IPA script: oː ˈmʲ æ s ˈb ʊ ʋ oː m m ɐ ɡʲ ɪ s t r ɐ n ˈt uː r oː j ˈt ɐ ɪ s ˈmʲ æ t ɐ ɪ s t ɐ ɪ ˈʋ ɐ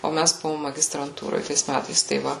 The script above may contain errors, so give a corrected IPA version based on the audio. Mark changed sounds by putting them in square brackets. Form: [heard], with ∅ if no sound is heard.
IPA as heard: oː ˈmʲ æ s ˈb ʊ ʋ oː m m ɐ ɡʲ ɪ s t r ɐ n ˈt uː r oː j ˈt ɐ ɪ s ˈmʲ æ t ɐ ɪ s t ɐ ɪ ˈʋ ɐ